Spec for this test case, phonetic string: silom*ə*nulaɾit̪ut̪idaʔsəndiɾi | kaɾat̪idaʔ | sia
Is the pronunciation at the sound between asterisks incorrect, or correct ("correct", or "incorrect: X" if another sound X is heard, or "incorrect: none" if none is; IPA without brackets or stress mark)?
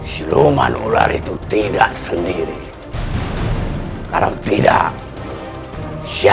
incorrect: a